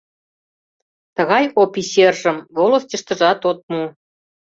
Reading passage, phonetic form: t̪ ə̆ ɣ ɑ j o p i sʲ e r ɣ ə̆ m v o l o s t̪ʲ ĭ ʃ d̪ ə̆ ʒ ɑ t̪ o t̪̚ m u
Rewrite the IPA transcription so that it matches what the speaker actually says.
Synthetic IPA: t̪ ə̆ ɣ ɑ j o p i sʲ e r ʒ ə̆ m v o l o s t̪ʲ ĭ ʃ t̪ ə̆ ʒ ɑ t̪ o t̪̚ m u